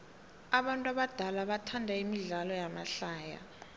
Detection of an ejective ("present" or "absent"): present